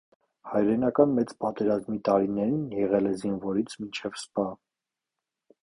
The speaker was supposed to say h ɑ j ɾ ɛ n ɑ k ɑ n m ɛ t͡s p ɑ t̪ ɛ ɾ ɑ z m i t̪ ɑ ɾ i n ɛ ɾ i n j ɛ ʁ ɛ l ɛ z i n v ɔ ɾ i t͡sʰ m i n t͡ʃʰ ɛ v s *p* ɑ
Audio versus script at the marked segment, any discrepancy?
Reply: no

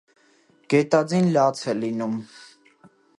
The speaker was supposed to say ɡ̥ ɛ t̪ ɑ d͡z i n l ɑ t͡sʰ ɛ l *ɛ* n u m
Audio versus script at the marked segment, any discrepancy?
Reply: yes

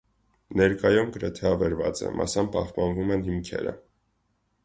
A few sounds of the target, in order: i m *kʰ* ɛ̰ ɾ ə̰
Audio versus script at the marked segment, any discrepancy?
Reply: no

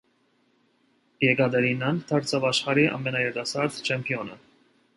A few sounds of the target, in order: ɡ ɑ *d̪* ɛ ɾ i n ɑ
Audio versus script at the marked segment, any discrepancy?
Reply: no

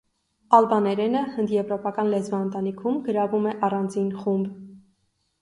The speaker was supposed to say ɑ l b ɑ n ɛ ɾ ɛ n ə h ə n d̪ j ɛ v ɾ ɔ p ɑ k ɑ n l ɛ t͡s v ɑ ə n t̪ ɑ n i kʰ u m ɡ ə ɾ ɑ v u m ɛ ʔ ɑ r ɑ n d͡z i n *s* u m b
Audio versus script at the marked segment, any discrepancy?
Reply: yes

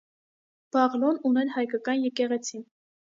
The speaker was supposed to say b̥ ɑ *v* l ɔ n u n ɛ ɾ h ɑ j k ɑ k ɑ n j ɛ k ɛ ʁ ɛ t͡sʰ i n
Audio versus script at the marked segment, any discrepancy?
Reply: yes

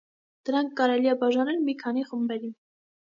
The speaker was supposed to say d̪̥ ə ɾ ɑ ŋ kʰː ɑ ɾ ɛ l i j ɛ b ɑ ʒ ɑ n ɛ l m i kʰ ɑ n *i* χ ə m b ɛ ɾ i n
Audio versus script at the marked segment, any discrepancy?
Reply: no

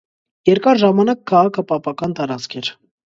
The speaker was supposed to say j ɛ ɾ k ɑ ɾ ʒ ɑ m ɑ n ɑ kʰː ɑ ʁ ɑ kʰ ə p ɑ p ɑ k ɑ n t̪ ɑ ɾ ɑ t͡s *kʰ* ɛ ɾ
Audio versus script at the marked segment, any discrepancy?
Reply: no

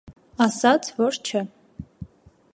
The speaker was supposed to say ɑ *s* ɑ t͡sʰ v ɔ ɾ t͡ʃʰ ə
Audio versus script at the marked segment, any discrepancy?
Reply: no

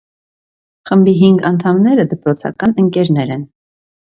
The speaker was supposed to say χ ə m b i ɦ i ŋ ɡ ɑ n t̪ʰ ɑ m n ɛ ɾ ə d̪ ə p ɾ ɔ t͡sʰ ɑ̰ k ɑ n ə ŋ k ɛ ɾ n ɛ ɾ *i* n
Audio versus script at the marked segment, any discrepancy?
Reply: yes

